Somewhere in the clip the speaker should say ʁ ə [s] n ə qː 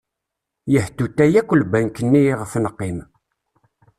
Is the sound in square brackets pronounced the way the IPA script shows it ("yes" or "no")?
no